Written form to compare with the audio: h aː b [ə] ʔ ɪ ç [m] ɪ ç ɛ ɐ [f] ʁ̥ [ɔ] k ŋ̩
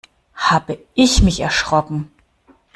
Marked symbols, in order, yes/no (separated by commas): yes, yes, no, yes